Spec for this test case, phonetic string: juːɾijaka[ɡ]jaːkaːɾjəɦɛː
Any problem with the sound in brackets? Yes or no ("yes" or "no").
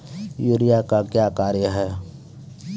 yes